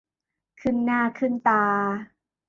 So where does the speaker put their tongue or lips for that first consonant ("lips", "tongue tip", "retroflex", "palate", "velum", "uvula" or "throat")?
velum